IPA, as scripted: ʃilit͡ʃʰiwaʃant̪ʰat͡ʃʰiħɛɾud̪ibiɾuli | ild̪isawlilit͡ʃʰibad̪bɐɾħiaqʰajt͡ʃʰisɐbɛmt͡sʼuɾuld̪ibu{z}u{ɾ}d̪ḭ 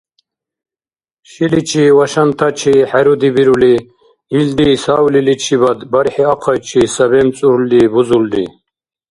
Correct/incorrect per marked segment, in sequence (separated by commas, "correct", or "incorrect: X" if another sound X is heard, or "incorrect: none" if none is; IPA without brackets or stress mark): correct, incorrect: l